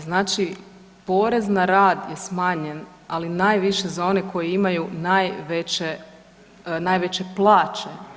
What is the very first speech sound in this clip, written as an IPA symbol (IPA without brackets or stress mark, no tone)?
z